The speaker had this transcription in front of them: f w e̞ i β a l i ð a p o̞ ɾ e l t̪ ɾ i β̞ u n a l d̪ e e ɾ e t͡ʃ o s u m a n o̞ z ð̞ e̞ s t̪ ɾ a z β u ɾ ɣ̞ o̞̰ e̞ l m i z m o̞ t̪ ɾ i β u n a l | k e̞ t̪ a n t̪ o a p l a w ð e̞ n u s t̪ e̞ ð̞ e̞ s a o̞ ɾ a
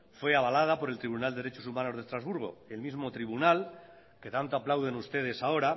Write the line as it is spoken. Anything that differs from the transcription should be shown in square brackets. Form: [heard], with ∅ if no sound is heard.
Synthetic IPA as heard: f w e̞ [a] β a l [a] ð a p o̞ ɾ e l t̪ ɾ i β̞ u n a l d̪ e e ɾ e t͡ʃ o s u m a n o̞ z ð̞ e̞ s t̪ ɾ a z β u ɾ ɣ̞ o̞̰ e̞ l m i z m o̞ t̪ ɾ i β u n a l | k e̞ t̪ a n t̪ o a p l a w ð e̞ n u s t̪ e̞ ð̞ e̞ s a o̞ ɾ a